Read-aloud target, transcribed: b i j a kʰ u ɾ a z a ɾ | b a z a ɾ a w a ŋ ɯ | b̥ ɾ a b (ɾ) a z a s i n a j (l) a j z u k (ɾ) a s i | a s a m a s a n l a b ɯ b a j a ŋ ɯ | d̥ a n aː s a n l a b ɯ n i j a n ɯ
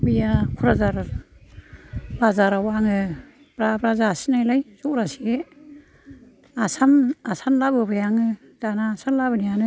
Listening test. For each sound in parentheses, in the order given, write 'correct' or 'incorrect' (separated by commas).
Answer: correct, correct, correct